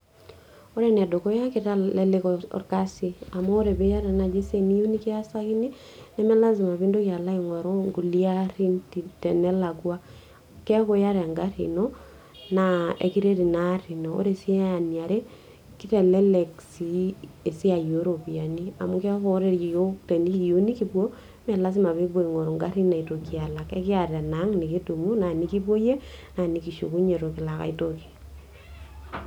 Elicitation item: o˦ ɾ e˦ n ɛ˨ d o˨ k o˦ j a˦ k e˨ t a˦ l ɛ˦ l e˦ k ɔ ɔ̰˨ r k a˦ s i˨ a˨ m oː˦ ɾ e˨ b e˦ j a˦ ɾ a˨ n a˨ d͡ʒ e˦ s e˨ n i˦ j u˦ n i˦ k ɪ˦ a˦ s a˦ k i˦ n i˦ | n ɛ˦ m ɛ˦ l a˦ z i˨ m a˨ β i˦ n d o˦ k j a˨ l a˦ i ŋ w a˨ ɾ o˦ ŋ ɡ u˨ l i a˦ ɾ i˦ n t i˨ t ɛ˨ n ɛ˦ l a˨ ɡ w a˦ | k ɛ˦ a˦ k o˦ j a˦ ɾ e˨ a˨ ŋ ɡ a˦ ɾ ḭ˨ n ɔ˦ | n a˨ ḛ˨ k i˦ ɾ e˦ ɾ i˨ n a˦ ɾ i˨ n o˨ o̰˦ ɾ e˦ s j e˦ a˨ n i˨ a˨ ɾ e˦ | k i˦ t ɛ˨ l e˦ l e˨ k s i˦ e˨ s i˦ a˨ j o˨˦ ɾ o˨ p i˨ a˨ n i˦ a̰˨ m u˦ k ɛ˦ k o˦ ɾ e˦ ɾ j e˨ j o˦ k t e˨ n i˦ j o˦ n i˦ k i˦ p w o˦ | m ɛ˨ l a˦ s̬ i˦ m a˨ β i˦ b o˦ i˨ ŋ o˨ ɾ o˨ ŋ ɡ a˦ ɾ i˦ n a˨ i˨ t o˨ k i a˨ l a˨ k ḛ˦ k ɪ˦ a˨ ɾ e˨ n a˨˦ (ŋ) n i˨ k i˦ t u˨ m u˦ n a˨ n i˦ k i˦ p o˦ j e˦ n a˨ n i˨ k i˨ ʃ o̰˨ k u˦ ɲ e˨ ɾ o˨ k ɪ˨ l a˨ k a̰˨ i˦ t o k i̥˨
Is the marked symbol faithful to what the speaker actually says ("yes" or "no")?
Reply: yes